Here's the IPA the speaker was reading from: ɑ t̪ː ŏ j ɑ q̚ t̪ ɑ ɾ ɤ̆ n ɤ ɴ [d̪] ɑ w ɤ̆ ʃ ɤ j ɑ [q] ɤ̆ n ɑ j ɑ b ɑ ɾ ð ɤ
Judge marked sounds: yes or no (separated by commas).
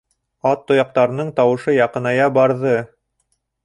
no, yes